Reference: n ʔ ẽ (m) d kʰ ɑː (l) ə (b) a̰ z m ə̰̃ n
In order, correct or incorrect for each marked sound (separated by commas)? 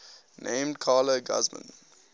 correct, correct, incorrect